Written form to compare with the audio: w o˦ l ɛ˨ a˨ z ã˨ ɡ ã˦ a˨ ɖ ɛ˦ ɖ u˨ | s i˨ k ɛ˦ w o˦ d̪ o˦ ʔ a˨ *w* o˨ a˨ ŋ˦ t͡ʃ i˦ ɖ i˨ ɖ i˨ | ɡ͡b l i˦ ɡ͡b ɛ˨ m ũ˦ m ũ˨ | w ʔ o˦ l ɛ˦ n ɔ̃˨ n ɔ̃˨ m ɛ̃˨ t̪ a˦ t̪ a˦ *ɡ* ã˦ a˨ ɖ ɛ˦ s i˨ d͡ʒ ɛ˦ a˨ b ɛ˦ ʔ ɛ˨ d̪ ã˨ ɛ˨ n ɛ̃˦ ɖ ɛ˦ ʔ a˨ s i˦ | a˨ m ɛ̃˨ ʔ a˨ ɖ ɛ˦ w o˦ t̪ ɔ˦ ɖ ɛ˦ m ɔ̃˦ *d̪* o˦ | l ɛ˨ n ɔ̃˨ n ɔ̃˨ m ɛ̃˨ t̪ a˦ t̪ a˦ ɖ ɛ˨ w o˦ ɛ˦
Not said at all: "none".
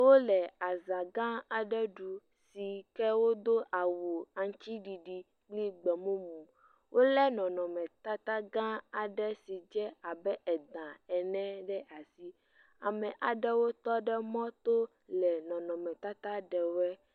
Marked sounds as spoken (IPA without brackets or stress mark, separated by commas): w, ɡ, t̪